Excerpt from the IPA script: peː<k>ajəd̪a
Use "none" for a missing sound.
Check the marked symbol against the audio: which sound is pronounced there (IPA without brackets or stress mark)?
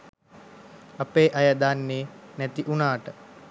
ʔ